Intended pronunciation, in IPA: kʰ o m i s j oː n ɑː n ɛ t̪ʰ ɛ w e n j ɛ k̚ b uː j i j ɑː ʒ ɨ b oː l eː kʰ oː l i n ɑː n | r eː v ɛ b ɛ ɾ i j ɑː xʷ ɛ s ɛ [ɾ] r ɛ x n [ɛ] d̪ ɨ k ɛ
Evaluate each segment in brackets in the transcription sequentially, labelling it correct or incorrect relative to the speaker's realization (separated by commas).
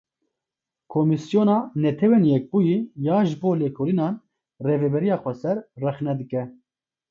correct, correct